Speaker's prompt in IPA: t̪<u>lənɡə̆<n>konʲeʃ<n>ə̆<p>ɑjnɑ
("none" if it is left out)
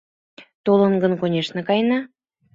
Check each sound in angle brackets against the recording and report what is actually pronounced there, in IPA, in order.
o, n, n, k

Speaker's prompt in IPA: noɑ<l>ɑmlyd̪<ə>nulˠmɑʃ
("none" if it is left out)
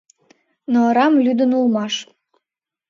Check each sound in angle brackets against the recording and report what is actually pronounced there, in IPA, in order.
ɾ, ə

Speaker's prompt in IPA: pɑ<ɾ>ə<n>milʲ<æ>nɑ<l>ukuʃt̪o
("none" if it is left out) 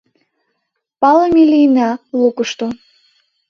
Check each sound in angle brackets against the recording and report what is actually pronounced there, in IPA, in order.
l, none, i, l

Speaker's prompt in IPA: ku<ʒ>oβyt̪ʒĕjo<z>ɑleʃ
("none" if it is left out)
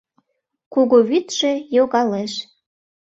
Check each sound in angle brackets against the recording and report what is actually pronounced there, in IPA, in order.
ɣ, ɣ

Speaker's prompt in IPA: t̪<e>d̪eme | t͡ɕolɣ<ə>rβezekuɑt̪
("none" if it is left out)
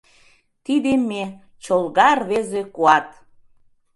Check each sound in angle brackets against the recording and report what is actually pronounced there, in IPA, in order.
i, ɑ

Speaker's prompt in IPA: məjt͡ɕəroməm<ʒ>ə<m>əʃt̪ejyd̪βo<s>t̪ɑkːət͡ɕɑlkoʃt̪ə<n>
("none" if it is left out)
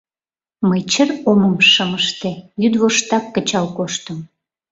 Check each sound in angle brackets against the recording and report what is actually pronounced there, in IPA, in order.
ʃ, m, ʃ, m

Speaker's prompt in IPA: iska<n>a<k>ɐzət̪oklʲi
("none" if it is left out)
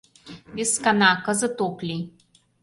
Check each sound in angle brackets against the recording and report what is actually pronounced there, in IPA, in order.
n, k

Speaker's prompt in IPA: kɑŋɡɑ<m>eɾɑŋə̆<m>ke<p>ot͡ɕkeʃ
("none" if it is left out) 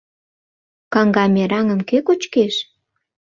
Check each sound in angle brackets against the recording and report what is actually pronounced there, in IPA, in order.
m, m, k

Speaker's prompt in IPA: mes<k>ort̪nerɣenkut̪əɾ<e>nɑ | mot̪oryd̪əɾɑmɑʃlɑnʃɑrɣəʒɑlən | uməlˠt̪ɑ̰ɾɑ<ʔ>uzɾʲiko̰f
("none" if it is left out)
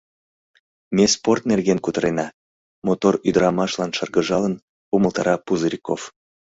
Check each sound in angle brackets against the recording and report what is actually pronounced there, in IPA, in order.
p, e, p

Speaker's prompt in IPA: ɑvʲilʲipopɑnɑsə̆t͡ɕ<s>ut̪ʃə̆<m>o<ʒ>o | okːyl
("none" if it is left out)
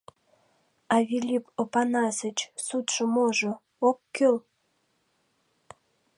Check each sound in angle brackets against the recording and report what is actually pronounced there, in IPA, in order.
s, m, ʒ

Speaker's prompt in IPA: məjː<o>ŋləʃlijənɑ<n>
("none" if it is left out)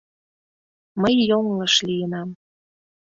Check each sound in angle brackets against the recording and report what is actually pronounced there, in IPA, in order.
o, m

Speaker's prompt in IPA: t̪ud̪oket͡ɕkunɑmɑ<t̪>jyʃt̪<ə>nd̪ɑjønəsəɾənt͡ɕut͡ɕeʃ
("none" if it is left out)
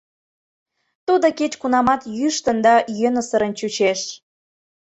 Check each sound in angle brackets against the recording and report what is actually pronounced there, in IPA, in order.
t̪, ə

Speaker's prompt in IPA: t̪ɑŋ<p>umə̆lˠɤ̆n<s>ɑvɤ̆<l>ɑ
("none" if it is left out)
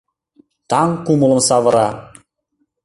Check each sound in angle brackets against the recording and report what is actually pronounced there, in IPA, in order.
k, s, ɾ

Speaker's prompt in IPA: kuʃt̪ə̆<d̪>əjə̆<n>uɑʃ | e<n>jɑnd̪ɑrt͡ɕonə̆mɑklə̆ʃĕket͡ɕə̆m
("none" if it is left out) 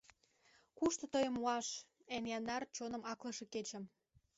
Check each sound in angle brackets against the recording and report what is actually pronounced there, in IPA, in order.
t̪, m, n

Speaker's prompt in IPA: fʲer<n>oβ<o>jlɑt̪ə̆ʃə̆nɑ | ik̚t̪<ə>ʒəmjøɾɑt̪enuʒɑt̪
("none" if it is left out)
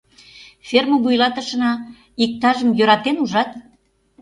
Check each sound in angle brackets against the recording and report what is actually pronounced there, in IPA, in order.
m, u, ɑ

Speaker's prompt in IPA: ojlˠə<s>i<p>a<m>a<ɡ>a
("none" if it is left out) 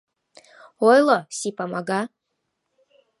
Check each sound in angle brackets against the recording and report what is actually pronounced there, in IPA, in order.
s, p, m, ɡ

